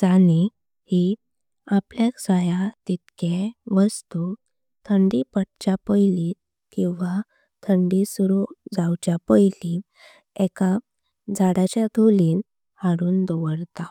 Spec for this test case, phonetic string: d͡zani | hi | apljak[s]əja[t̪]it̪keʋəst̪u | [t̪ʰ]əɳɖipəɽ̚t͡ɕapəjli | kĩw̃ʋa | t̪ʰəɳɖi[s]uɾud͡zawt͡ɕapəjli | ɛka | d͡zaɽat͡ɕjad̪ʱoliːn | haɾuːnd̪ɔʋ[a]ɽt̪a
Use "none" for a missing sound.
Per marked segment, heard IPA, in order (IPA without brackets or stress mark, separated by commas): s, t̪, t̪ʰ, s, ə